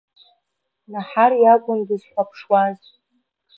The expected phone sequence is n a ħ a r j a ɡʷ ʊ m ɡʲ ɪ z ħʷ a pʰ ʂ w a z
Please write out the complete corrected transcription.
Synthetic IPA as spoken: n a ħ a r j a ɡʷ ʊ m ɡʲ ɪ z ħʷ a pʰ ʂ w a z